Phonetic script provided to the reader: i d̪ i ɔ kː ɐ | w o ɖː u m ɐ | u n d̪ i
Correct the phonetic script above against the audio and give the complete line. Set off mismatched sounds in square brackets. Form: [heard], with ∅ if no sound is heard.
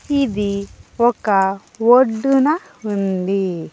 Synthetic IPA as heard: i d̪ i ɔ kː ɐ | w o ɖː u [n] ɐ | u n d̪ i